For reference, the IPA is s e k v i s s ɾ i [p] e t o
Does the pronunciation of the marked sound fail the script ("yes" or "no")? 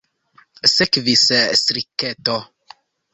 yes